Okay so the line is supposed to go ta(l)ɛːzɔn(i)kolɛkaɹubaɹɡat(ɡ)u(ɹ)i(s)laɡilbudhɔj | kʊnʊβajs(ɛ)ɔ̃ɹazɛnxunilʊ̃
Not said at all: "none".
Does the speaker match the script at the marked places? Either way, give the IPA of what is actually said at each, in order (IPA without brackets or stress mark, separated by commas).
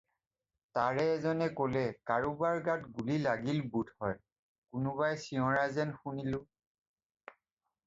ɹ, ɛ, ɡ, l, none, i